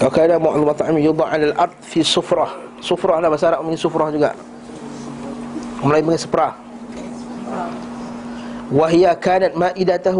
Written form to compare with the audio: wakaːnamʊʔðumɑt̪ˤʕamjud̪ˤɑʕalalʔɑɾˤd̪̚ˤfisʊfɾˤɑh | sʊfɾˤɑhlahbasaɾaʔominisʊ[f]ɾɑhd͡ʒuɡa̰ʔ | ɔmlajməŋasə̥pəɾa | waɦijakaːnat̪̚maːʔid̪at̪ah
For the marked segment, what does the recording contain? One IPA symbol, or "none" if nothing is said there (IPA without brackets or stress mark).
f